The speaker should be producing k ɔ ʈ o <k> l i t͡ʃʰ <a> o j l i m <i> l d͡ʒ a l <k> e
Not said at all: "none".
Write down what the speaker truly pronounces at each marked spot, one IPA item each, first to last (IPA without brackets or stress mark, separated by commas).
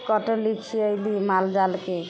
none, i, a, k